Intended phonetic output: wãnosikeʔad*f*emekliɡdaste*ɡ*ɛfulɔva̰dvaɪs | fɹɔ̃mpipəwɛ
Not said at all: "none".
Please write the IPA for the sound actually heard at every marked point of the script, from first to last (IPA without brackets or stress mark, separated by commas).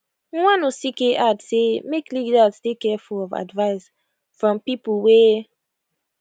s, k